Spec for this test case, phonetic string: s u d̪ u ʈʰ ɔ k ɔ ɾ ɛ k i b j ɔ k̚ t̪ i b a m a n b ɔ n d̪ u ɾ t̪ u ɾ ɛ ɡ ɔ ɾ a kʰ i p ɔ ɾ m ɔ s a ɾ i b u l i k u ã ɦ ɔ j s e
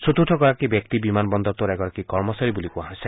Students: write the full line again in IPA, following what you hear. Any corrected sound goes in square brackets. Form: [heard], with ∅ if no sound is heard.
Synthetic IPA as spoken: s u [t̪] u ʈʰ ɔ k ɔ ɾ [a] k i b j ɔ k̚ t̪ i b [i] m a n b ɔ n d̪ [ɔ] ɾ t̪ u ɾ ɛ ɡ ɔ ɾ a [k] i [k] ɔ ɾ m ɔ s a ɾ i b u l i k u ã ɦ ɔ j s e